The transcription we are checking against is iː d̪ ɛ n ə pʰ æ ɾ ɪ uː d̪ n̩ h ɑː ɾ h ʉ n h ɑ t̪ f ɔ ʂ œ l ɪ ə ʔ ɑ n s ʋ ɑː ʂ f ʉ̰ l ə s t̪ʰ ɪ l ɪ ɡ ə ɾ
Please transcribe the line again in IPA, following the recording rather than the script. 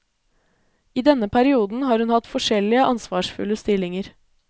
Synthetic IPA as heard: iː d̪ ɛ n ə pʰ æ ɾ ɪ uː d̪ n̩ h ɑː ɾ h ʉ n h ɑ t̪ f ɔ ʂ ɛ l ɪ ə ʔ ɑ n s ʋ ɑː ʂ f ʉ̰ l ə s t̪ ɪ l ɪ ŋ ə ɾ